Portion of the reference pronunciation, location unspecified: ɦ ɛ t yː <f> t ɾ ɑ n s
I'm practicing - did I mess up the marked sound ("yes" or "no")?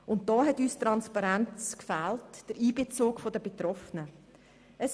yes